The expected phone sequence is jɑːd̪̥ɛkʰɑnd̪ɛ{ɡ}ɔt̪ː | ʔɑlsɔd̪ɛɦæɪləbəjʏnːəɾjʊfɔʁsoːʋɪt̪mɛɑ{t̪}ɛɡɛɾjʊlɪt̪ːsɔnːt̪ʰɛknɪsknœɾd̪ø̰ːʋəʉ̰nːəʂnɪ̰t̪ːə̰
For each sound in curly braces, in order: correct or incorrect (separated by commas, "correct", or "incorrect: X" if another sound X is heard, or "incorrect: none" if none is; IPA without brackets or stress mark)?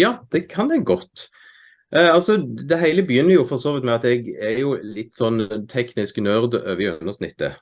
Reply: correct, correct